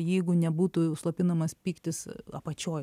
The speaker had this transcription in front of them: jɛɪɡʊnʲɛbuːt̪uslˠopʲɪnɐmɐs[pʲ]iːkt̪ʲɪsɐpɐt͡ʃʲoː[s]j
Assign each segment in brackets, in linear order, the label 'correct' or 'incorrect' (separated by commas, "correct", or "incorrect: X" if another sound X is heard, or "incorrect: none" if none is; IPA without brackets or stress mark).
correct, incorrect: none